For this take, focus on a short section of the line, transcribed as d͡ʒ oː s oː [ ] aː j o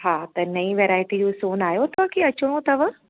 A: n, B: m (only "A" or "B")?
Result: A